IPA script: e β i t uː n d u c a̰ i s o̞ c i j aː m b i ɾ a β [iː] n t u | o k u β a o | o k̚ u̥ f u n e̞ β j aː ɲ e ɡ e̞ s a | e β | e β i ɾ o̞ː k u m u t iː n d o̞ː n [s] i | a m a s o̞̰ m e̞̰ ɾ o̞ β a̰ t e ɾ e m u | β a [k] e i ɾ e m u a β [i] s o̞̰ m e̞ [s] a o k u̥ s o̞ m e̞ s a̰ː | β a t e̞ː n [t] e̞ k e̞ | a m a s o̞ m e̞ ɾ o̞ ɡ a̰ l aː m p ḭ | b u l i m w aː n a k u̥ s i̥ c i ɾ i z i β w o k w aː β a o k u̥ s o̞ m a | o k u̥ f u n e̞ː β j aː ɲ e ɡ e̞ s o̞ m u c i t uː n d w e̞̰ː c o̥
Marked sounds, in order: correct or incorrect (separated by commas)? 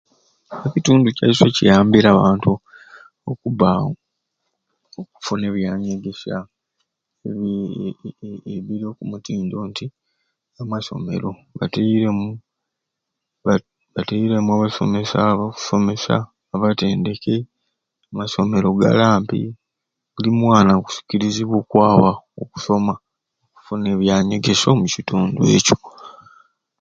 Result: incorrect, incorrect, incorrect, incorrect, correct, incorrect